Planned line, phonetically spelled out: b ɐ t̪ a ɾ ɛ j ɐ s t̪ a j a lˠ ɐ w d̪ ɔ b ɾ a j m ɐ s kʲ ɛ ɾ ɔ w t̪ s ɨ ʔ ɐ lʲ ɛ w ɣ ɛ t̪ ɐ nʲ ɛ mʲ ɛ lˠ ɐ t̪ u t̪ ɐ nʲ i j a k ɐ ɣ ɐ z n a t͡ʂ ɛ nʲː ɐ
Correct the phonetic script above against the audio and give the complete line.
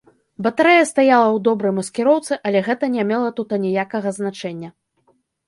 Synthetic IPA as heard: b ɐ t̪ a ɾ ɛ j ɐ s t̪ a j a lˠ ɐ w d̪ ɔ b ɾ ɐ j m ɐ s kʲ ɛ ɾ ɔ w t̪ s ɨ ʔ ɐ lʲ ɛ ɣ ɛ t̪ ɐ nʲ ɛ mʲ ɛ lˠ ɐ t̪ u t̪ ɐ nʲ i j a k ɐ ɣ ɐ z n a t͡ʂ ɛ nʲː ɐ